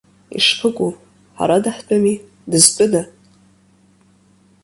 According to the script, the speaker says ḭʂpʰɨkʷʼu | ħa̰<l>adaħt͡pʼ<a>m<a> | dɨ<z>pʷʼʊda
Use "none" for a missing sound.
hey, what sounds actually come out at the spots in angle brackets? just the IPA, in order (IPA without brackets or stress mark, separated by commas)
ɾ, a, i, z